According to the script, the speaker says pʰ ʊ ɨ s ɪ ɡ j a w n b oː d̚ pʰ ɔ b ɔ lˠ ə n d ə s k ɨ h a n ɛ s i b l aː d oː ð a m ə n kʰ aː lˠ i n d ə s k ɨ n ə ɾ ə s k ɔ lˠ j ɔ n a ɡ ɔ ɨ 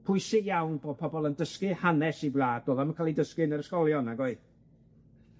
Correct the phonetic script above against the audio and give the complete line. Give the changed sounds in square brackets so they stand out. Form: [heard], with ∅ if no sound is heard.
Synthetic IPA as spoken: pʰ ʊ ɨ s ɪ ɡ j a w n b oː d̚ pʰ ɔ b ɔ lˠ ə n d ə s k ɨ h a n ɛ s i b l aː d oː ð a m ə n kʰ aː lˠ i [∅] d ə s k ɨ n ə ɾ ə s k ɔ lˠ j ɔ n a ɡ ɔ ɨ

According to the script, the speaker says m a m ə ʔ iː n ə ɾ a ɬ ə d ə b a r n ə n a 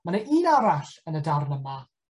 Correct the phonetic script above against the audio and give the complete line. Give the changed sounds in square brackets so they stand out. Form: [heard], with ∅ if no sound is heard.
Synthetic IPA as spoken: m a [n] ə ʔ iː n [a] ɾ a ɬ ə [n] ə [d] a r n ə [m] a

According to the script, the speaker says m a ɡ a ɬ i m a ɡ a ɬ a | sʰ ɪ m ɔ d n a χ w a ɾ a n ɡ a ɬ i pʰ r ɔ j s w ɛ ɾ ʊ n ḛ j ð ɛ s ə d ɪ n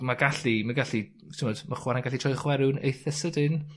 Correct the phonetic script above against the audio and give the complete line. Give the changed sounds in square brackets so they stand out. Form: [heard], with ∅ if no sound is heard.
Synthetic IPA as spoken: m a ɡ a ɬ i m a ɡ a ɬ [i] | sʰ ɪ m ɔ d [m] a χ w a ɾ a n ɡ a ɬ i [tʰ] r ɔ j [χ] w ɛ ɾ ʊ n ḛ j [θ] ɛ s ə d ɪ n

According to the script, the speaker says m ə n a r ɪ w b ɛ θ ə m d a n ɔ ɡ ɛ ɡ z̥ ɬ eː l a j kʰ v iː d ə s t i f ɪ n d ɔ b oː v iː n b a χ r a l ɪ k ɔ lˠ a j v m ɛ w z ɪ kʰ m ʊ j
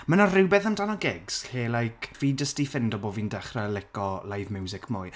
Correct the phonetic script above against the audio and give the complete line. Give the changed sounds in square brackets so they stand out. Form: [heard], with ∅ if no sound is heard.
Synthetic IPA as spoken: m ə n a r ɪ w b ɛ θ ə m d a n ɔ ɡ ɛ ɡ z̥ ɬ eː l a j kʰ v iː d ə s t i f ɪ n d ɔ b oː v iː n [d] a χ r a l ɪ k ɔ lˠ a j v m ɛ w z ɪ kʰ m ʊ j

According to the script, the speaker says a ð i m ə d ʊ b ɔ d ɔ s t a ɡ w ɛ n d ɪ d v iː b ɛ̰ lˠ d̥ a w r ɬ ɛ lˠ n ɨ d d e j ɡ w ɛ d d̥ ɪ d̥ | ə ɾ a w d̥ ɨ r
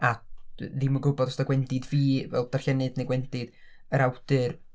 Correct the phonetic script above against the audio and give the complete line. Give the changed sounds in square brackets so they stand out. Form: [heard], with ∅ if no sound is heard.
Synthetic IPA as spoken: a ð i m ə [ɡ] ʊ b ɔ d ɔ s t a ɡ w ɛ n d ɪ d v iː [v] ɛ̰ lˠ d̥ a [∅] r ɬ ɛ [∅] n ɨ d [n] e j ɡ w ɛ [n] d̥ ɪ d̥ | ə ɾ a w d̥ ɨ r

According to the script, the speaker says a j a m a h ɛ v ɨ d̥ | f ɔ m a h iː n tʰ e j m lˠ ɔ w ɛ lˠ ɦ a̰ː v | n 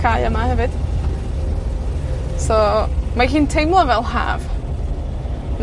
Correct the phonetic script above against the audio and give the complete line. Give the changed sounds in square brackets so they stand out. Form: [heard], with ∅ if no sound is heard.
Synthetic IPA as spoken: a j [ə] m a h ɛ v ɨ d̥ | [s] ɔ m a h iː n tʰ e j m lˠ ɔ [v] ɛ lˠ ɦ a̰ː v | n

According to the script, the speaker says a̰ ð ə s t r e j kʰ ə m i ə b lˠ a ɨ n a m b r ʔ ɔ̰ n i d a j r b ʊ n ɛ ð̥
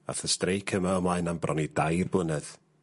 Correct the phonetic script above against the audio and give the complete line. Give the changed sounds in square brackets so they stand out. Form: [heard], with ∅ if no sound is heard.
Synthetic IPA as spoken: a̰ [θ] ə s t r e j kʰ ə m [a] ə [m] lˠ a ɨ n a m b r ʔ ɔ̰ n i d a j r b ʊ n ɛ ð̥

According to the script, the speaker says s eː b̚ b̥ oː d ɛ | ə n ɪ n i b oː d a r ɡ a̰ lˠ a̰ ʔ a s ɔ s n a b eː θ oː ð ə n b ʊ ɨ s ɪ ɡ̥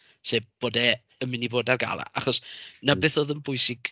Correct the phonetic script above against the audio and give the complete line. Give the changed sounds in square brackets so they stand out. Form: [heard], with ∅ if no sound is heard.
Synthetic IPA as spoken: s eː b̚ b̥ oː d ɛ | ə [m] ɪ n i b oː d a r ɡ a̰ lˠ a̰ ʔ a [χ] ɔ s n a b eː θ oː ð ə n b ʊ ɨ s ɪ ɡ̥

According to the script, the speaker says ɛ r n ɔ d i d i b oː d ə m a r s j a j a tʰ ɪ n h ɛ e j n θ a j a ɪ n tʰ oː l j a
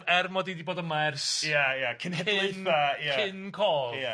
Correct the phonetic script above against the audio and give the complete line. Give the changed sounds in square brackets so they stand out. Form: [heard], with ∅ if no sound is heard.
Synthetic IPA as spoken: ɛ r [m] ɔ d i d i b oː d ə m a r s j a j a [kʰ] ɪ n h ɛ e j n θ a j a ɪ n [kʰ] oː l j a

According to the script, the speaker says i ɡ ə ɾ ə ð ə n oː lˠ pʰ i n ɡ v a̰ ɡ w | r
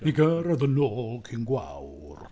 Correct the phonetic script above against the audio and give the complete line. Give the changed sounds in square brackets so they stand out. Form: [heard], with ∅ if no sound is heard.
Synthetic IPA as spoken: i ɡ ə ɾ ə ð ə n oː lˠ [kʰ] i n ɡ [w] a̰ [∅] w | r

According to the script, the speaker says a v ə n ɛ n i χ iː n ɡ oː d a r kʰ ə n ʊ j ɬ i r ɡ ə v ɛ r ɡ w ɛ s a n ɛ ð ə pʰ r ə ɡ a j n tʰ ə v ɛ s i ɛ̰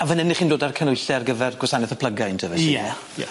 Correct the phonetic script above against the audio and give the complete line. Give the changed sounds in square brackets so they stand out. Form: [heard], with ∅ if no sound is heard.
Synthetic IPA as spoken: a v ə n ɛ n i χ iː n [d] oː d a r kʰ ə n ʊ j ɬ [ɛ] r ɡ ə v ɛ r ɡ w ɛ s a n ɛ [θ] ə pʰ [l] ə ɡ a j n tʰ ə v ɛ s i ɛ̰

